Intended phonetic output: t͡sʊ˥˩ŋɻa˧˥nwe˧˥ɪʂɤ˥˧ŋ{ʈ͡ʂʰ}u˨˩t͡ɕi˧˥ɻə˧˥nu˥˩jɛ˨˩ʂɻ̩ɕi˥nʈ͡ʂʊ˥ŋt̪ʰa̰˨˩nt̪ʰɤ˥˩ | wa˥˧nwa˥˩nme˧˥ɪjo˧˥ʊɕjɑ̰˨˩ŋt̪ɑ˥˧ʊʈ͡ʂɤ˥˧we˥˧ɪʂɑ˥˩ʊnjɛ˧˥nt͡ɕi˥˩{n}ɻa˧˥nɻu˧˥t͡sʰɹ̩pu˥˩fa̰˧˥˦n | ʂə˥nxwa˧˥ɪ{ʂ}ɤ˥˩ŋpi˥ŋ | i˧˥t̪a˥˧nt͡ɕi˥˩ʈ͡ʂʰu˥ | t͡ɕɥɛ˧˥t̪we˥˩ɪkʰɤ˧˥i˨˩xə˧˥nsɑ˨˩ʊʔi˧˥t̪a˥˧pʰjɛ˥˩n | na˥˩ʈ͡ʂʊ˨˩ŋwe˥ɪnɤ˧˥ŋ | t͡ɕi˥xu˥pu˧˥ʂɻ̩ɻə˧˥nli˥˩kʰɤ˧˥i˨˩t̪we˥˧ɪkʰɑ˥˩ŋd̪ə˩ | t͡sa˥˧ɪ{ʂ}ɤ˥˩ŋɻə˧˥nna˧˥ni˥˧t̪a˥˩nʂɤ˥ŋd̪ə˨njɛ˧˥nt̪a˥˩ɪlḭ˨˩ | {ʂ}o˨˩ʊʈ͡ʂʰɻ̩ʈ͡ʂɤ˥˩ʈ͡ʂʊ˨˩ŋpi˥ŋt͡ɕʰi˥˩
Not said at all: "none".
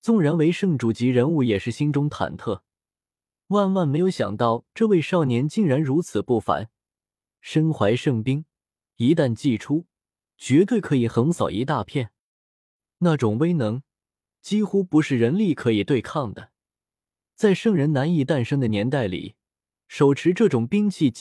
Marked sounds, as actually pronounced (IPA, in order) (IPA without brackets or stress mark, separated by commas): ʈ͡ʂ, ŋ, ʂ, ʂ, ʂ